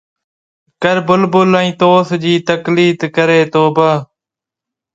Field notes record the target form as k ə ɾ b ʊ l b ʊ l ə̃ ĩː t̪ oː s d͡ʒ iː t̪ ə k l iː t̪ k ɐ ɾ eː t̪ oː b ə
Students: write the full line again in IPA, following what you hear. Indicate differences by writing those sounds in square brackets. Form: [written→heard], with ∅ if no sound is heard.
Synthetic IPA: k ə ɾ b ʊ l b ʊ l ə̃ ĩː t̪ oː s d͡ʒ iː t̪ ə k l iː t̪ k [ɐ→ə] ɾ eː t̪ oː b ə